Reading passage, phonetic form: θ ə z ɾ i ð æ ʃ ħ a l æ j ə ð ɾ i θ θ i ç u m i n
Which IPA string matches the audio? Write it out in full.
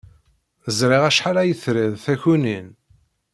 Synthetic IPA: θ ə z ɾ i ʁ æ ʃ ħ a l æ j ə θ ɾ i ð θ æ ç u n i n